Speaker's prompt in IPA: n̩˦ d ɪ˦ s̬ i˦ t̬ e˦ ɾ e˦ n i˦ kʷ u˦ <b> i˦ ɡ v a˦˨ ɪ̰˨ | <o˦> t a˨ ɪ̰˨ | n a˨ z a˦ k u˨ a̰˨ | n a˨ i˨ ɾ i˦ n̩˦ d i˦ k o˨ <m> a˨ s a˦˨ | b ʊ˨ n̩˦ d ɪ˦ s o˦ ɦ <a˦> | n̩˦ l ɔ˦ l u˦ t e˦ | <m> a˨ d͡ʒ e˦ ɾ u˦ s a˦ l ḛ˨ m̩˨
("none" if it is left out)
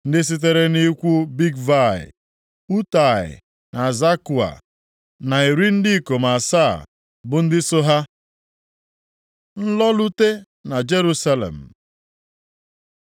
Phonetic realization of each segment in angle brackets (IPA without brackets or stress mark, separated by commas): b, u˦, m, a˦, n